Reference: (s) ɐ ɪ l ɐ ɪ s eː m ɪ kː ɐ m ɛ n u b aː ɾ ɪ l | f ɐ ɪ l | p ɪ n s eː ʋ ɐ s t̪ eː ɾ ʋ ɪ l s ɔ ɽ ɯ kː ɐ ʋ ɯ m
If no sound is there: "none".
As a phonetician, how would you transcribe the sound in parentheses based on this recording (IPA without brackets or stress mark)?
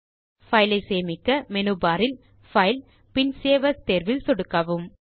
f